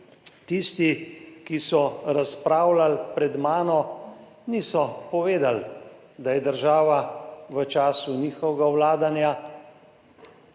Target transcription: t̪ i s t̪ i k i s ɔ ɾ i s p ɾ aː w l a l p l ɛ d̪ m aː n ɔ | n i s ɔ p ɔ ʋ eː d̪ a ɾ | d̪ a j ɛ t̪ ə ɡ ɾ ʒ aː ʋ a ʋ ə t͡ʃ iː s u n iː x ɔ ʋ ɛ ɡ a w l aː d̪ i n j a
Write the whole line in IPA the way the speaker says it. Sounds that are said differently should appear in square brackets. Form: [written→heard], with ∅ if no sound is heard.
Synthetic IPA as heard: t̪ i s t̪ i k i s ɔ ɾ [i→a] s p ɾ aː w l a l p [l→ɾ] ɛ d̪ m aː n ɔ | n i s ɔ p ɔ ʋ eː d̪ a [ɾ→l] | d̪ a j ɛ [t̪→d̪] ə [ɡ→∅] ɾ ʒ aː ʋ a ʋ ə t͡ʃ [iː→aː] s u n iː x ɔ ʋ ɛ ɡ a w l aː d̪ [i→a] n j a